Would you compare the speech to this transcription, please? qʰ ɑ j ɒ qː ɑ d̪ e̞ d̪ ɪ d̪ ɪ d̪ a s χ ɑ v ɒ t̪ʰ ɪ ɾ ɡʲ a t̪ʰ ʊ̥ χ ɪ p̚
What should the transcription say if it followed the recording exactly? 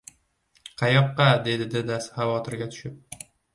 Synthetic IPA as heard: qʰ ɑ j ɒ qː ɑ d̪ e̞ d̪ ɪ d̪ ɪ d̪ a s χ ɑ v ɒ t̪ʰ ɪ ɾ ɡʲ a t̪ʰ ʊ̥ ʃ ɪ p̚